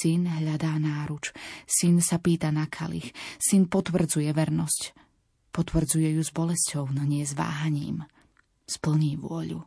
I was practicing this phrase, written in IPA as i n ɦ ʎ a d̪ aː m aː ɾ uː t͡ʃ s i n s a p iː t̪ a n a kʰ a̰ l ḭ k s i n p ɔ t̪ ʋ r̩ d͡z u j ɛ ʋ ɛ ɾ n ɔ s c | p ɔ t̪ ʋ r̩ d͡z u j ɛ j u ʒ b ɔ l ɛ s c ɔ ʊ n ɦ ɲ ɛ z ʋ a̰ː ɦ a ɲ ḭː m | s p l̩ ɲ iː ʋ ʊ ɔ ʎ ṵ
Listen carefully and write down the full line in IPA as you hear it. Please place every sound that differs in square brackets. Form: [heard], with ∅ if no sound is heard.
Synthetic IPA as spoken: i n ɦ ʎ a d̪ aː [n] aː ɾ [u] t͡ʃ s i n s a p iː t̪ a n a kʰ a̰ l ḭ [x] s i n p ɔ t̪ ʋ r̩ d͡z u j ɛ ʋ ɛ ɾ n ɔ s c | p ɔ t̪ ʋ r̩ d͡z u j ɛ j u [z] b ɔ l ɛ s c ɔ ʊ n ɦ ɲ ɛ z ʋ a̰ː ɦ a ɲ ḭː m | s p l̩ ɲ iː ʋ ʊ ɔ ʎ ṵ